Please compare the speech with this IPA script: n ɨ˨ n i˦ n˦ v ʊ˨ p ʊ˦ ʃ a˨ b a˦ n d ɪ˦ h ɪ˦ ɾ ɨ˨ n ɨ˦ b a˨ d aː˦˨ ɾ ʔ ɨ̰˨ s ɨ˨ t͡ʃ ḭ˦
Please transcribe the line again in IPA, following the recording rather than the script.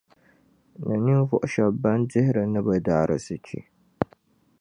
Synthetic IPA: n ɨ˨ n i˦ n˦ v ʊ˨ ʔ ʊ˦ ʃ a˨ b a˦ n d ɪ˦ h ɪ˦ ɾ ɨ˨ n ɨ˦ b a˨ d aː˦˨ ɾ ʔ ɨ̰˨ s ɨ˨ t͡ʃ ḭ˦